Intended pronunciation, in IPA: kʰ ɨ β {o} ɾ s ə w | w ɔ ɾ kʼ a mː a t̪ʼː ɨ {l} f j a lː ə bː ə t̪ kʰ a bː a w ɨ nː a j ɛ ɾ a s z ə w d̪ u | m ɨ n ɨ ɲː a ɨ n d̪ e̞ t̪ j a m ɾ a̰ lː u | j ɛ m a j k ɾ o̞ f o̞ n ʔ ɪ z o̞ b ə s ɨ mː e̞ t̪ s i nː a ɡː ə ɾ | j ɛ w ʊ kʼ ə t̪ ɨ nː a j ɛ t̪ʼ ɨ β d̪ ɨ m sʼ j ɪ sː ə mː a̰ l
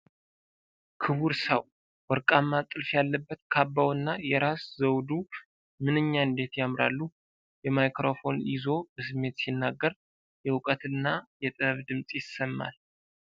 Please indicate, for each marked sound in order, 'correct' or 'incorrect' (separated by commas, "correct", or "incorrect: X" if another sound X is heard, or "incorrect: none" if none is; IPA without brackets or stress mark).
incorrect: u, correct